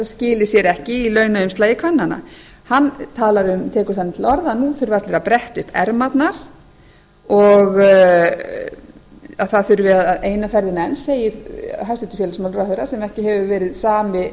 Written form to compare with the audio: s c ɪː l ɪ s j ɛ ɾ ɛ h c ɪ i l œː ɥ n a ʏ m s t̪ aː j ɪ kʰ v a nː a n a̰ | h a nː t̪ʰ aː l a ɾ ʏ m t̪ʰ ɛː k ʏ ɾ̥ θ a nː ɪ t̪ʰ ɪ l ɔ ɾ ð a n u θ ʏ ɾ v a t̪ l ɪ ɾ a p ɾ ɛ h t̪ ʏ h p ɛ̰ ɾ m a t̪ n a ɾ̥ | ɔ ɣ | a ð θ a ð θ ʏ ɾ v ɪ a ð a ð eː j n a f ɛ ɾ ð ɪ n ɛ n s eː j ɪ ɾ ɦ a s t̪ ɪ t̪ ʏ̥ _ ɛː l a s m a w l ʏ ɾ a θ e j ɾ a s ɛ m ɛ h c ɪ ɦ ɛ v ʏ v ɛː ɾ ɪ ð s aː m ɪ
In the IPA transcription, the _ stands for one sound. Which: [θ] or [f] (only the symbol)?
f